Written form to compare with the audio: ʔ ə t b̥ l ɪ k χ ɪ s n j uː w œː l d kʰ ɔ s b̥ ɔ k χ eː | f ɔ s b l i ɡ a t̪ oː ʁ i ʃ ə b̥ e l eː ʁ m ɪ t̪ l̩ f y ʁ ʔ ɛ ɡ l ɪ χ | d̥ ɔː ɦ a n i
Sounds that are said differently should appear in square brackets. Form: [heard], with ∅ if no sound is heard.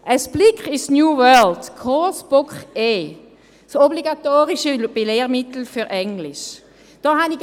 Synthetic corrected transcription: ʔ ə [s] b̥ l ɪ k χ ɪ s n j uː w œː l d kʰ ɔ s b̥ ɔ k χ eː | [s] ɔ [∅] b l i ɡ a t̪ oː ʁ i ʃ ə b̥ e l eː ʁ m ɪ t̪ l̩ f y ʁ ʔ ɛ [ŋ] l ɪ [ʃ] | d̥ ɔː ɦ a n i